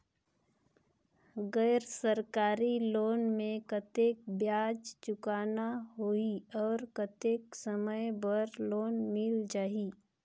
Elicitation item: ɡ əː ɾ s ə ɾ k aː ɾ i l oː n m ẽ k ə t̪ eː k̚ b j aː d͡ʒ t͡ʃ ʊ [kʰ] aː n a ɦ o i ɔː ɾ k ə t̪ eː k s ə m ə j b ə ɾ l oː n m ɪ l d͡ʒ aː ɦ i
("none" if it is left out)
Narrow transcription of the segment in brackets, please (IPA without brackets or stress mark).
k